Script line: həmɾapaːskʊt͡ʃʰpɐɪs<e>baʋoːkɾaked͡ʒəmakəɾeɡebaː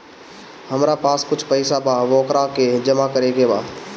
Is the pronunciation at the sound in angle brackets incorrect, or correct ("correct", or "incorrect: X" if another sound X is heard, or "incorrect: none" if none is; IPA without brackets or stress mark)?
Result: incorrect: a